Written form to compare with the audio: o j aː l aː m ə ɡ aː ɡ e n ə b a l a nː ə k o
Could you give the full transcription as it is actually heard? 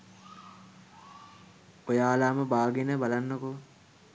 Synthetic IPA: o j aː l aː m ə b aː ɡ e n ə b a l a nː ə k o